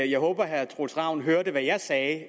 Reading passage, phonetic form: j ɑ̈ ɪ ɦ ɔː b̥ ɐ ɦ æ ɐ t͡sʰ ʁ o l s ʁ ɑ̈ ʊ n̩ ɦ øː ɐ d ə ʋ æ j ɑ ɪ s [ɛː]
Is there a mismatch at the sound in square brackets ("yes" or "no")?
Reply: no